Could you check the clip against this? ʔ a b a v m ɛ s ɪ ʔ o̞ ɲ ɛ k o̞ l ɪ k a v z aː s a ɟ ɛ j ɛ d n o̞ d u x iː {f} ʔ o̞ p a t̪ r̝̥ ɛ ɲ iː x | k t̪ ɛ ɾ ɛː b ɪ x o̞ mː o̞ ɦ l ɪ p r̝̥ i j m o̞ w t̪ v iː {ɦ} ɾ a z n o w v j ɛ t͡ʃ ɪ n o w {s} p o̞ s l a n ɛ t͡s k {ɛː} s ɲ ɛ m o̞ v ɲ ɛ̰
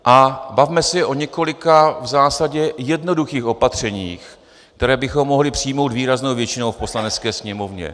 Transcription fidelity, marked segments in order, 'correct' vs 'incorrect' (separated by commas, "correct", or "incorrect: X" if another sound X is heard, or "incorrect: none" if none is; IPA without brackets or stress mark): incorrect: x, incorrect: none, incorrect: f, correct